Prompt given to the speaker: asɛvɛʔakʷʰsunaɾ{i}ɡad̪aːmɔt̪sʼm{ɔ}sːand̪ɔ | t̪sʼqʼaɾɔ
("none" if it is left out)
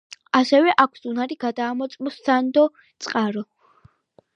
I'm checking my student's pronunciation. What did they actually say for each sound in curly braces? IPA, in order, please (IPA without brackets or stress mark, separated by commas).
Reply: i, ɔ